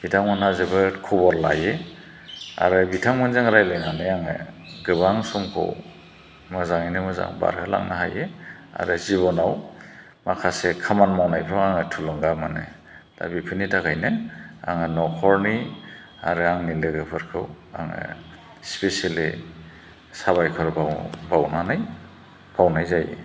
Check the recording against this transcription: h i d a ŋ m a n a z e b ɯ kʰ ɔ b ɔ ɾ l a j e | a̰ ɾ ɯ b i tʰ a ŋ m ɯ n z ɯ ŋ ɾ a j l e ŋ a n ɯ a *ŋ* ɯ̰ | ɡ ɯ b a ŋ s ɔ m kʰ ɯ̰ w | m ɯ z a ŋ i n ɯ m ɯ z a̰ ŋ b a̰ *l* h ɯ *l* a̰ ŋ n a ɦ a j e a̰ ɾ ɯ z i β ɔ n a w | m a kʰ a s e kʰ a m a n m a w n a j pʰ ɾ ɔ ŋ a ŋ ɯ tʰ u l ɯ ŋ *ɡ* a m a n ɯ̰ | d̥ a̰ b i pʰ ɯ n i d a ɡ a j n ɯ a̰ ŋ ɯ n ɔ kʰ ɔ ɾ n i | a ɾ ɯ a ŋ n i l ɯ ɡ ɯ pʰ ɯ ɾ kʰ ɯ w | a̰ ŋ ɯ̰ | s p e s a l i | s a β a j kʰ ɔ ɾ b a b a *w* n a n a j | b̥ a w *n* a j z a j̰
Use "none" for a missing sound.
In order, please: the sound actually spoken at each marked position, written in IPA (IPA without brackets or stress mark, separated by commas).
ŋ, ɾ, l, ɡ, w, n